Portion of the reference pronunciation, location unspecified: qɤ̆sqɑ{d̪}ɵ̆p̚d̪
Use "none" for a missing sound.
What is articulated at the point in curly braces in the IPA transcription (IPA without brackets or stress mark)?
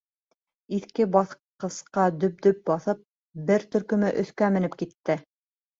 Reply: d̪